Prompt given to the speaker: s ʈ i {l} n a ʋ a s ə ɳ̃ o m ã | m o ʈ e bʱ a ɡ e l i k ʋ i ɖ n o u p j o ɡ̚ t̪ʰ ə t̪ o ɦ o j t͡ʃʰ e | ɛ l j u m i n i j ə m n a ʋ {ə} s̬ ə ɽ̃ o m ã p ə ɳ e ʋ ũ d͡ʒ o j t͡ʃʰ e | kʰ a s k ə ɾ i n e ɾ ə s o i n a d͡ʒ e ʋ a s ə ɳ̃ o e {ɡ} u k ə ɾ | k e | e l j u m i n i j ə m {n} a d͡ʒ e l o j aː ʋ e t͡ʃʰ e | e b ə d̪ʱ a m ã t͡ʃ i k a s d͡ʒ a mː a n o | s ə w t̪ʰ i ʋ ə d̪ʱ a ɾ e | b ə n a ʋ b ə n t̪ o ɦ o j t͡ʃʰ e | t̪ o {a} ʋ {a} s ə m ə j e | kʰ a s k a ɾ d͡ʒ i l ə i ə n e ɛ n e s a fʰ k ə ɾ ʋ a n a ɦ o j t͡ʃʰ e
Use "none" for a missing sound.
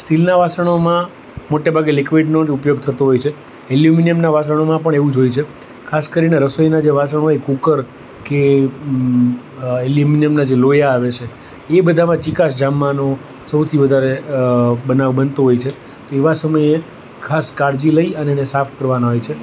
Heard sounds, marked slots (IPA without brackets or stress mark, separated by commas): l, a, k, n, e, a